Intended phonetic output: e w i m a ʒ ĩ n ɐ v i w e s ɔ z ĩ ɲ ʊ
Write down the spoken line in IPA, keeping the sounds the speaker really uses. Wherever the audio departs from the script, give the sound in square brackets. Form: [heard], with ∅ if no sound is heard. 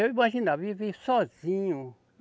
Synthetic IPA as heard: e w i m a ʒ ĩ n [a] v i [v] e s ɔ z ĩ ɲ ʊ